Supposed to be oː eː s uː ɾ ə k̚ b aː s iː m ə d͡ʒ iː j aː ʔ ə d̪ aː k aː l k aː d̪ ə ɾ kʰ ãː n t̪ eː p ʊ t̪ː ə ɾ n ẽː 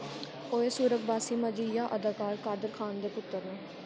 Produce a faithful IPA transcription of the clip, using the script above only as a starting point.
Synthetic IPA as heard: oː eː s uː ɾ ə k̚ b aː s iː m ə d͡ʒ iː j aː ʔ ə d̪ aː k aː ɾ k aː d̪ ə ɾ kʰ aː n d̪ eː p ʊ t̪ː ə ɾ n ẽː